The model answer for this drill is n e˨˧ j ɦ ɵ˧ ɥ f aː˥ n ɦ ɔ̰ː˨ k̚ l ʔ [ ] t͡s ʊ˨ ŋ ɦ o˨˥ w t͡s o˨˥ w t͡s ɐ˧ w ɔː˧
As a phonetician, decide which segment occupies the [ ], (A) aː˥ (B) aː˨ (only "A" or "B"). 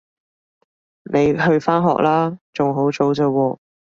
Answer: A